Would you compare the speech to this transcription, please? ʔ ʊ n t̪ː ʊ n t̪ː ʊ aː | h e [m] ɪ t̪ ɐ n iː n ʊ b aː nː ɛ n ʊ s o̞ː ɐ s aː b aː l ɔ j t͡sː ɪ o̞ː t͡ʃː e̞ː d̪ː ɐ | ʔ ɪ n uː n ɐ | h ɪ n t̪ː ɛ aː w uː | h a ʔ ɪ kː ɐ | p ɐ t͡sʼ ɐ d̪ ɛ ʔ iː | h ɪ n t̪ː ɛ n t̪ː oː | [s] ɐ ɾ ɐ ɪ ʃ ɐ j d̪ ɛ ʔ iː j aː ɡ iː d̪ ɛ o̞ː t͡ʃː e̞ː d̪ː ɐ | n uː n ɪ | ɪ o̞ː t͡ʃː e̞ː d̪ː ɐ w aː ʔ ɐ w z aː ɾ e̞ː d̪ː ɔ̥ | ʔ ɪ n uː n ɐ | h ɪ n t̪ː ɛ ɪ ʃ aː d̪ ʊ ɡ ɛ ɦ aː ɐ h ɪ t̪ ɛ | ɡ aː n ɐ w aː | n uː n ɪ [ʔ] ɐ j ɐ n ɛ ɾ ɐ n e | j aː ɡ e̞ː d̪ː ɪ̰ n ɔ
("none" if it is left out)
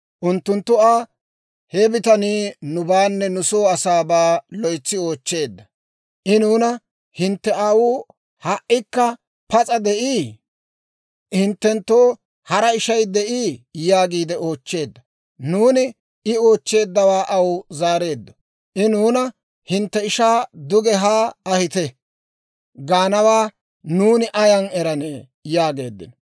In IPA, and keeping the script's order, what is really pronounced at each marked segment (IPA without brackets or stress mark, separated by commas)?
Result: b, h, ʔ